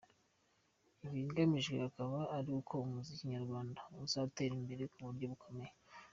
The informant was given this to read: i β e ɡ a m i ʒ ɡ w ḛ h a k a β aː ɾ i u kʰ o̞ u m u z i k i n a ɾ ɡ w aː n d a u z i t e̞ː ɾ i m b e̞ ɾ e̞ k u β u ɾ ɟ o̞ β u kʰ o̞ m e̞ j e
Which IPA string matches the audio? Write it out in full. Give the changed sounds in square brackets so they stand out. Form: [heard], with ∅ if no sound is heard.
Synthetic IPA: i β [i] ɡ a m i ʒ ɡ w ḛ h a k a β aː ɾ i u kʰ o̞ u m u z i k i [ɲ] a ɾ ɡ w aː n d a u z [a] t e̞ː ɾ i m b e̞ ɾ e̞ k u β u ɾ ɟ o̞ β u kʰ o̞ m e̞ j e